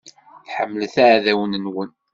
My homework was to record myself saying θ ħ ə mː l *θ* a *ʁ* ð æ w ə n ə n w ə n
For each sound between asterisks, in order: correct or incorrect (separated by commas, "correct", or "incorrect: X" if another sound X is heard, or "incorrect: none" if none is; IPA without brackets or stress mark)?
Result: correct, incorrect: ʕ